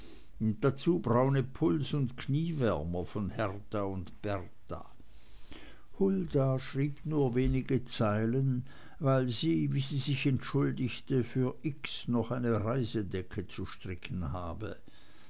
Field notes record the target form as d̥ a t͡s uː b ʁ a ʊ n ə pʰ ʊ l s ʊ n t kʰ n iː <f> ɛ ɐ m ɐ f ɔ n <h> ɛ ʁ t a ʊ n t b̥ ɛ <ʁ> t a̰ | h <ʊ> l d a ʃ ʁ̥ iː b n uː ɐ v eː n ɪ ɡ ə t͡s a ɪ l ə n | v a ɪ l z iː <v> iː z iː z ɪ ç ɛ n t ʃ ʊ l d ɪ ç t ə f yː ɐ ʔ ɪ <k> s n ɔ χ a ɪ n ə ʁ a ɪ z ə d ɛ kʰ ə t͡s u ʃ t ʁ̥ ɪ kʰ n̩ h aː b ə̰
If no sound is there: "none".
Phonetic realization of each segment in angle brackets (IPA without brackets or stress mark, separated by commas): v, h, ʁ, ʊ, v, k